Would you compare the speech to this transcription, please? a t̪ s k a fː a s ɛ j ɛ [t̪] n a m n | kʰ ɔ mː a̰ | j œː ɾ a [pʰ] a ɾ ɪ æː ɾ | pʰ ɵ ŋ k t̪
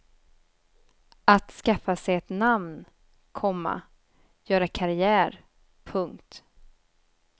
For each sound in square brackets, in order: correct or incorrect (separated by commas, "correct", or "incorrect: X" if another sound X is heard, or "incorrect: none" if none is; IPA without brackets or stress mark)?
correct, incorrect: kʰ